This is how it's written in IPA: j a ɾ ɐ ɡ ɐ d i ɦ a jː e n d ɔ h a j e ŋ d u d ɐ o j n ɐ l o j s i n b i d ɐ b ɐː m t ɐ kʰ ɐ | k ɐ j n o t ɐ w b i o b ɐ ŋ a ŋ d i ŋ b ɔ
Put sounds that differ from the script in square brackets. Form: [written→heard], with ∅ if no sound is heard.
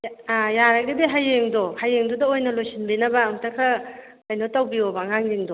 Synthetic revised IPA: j a ɾ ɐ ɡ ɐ d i ɦ a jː e [n→ŋ] d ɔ h a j e ŋ d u d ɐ o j n ɐ l o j s i n b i [d→n] ɐ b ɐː m t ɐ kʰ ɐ | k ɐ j n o t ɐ w b i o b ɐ ŋ a ŋ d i ŋ [b→d] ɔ